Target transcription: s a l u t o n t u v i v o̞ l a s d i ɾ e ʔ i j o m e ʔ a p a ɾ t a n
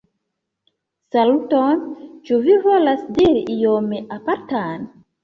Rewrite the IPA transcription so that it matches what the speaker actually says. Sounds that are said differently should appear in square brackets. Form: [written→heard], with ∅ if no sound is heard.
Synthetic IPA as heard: s a l u t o n [t→t͡ʃ] u v i v o̞ l a s d i ɾ [e→i] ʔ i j o m e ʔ a p a ɾ t a n